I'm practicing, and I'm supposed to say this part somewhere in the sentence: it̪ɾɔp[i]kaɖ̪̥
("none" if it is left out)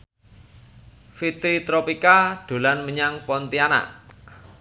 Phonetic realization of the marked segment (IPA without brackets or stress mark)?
i